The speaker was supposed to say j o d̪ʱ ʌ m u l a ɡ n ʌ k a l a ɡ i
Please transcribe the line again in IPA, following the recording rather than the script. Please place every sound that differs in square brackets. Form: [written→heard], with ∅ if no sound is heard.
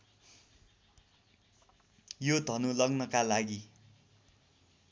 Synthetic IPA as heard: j o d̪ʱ ʌ [m→n] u l [a→ʌ] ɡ n ʌ k a l a ɡ i

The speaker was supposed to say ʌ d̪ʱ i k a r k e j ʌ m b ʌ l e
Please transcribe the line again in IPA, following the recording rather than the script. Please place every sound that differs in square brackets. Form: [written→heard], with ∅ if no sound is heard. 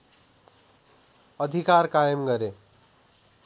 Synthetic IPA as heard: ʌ d̪ʱ i k a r k [e→a] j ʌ m [b→ɡ] ʌ [l→ɾ] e

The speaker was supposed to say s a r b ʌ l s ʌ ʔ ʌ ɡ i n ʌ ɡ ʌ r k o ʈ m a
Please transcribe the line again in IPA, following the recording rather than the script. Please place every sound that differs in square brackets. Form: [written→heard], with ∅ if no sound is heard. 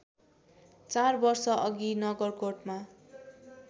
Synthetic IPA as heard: [s→t͡s] a r b ʌ [l→r] s ʌ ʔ ʌ ɡ i n ʌ ɡ ʌ r k o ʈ m a

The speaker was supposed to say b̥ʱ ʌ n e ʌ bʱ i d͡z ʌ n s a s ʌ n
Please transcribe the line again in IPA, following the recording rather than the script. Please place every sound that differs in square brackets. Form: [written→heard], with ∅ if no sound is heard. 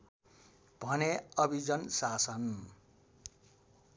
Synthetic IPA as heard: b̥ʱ ʌ n e ʌ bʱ i d͡z ʌ n s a s ʌ n

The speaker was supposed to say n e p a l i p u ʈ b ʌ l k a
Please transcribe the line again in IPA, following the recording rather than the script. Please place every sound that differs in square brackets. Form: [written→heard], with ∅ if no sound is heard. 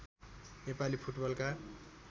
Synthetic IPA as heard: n e p a l i [p→pʰ] u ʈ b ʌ l k a

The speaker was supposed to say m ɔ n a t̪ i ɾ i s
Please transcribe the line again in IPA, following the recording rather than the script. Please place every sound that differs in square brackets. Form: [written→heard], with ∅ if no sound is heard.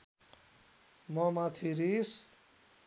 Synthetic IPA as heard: m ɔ [n→m] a [t̪→t̪ʰ] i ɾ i s

